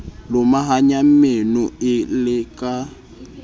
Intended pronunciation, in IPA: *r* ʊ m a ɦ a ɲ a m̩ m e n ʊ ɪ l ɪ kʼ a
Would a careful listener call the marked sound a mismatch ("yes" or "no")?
yes